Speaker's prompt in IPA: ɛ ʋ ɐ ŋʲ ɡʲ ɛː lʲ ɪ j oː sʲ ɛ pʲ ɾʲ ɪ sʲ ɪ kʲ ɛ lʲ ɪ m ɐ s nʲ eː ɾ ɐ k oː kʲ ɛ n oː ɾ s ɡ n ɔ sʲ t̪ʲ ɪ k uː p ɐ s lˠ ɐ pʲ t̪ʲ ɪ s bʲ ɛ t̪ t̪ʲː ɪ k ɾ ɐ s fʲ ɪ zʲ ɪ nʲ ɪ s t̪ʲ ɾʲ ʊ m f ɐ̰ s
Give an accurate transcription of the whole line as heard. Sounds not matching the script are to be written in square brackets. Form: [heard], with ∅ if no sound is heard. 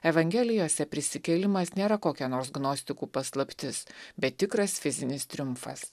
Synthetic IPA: ɛ ʋ ɐ ŋʲ ɡʲ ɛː lʲ ɪ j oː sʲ ɛ pʲ ɾʲ ɪ sʲ ɪ kʲ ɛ lʲ ɪ m ɐ s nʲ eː ɾ ɐ k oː kʲ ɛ n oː ɾ s ɡ n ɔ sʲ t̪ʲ ɪ k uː p ɐ s lˠ ɐ pʲ t̪ʲ ɪ s bʲ ɛ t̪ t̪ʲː ɪ k ɾ ɐ s fʲ ɪ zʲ ɪ nʲ ɪ s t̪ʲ ɾʲ ʊ m f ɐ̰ s